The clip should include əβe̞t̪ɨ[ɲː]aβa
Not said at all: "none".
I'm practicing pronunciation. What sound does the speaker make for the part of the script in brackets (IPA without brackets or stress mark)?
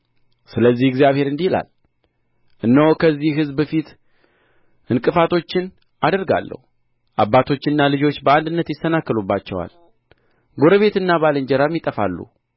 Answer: nː